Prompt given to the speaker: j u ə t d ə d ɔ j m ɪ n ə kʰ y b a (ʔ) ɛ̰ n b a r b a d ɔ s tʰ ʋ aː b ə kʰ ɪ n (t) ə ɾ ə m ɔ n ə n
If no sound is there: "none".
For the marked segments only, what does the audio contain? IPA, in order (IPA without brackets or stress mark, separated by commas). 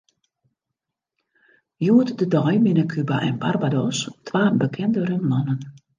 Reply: ʔ, d